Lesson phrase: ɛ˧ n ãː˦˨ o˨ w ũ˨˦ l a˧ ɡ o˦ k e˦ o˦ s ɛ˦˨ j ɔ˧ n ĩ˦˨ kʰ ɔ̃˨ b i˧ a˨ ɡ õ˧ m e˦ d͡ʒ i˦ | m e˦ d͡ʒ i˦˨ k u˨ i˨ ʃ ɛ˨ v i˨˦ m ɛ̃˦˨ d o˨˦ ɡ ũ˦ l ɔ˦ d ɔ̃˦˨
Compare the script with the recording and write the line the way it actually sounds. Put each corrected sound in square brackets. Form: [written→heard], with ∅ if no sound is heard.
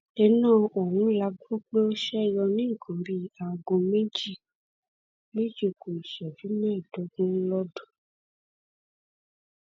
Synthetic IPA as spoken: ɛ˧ n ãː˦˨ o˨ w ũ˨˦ l a˧ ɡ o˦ [k→k͡p] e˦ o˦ [s→ʃ] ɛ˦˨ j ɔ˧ n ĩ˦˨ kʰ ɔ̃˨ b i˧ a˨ ɡ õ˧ m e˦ d͡ʒ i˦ | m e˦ d͡ʒ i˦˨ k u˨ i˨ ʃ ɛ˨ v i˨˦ m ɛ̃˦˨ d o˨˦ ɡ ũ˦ l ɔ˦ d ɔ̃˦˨

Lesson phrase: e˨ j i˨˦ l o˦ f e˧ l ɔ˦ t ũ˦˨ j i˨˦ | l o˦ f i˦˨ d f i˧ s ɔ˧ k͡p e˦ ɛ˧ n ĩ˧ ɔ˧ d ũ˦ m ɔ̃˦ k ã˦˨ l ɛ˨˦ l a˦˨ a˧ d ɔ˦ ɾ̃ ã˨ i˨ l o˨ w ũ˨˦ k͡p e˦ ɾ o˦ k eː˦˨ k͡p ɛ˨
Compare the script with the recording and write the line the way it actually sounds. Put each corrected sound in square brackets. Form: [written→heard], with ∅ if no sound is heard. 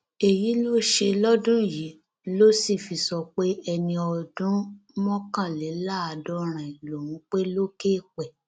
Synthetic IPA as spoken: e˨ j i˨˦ l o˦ [f→ʃ] e˧ l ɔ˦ [t→d] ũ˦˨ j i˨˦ | l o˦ [f→s] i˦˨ [d→∅] f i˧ s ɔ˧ k͡p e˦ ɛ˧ n ĩ˧ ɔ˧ d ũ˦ m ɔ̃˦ k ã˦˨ l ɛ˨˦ l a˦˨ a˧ d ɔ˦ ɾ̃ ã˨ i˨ l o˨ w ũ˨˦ k͡p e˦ [ɾ→l] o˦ k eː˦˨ k͡p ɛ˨

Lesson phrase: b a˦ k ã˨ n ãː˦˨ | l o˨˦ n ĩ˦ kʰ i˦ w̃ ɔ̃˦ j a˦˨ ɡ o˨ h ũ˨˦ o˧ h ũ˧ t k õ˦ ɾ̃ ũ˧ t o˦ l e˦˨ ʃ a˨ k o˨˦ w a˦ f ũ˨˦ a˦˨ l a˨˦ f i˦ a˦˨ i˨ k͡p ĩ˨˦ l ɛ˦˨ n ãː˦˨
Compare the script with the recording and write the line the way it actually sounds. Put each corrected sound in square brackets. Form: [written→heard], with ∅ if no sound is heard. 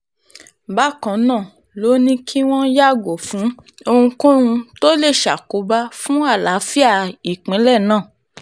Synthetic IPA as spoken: b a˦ k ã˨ n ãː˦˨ | l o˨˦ n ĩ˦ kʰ i˦ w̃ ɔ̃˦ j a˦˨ ɡ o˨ [h→f] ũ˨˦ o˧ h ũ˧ [t→∅] k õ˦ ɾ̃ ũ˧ t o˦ l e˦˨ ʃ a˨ k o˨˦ [w→b] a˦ f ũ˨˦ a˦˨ l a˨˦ f i˦ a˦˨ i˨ k͡p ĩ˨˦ l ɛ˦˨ n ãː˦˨

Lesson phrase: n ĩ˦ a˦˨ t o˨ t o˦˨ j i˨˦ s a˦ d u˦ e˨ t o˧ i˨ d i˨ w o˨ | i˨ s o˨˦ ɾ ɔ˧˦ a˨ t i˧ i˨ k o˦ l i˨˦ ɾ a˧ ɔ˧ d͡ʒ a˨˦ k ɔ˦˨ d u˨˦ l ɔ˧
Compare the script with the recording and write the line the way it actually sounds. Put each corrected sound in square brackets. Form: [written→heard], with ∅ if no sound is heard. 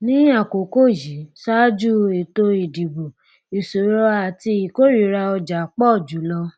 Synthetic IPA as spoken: n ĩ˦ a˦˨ [t→k] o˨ [t→k] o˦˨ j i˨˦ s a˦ [d→d͡ʒ] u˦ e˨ t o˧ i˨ d i˨ [w→b] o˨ | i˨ s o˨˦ ɾ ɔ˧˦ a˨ t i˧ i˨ k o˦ [l→ɾ] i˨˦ ɾ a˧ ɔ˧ d͡ʒ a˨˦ [k→k͡p] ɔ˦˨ [d→d͡ʒ] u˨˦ l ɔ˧

